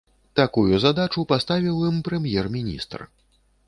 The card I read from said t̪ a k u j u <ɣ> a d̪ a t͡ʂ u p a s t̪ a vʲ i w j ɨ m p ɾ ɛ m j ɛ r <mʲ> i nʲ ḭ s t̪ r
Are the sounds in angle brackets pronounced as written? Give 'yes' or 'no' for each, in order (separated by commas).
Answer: no, yes